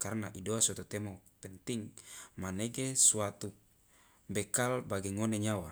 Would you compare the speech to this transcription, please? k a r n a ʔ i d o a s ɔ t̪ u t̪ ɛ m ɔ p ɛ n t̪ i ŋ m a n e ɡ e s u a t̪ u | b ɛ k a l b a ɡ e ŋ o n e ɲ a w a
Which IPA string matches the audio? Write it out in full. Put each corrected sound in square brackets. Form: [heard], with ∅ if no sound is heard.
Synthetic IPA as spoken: k a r n a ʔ i d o a s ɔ t̪ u t̪ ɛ m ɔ p ɛ n t̪ i ŋ m a n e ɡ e s u a t̪ u | b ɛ k a l b a ɡ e ŋ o n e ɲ a w a